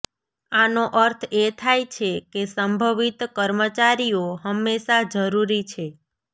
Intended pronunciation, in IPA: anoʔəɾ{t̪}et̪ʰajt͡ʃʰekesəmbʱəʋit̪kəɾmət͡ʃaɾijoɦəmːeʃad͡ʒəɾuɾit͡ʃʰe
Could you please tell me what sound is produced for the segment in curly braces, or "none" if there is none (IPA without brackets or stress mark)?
t̪ʰ